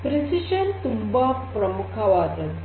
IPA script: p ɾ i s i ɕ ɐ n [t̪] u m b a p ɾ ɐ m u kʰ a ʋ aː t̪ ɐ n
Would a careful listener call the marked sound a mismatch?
no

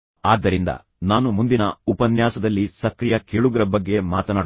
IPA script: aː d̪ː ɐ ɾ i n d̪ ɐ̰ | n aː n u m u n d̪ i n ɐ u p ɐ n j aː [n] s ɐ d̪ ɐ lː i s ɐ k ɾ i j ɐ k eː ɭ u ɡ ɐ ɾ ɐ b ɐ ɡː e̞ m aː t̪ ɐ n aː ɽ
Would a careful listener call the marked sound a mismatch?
yes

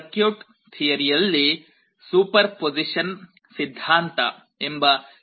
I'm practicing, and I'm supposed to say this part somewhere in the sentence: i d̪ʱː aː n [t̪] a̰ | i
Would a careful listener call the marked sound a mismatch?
no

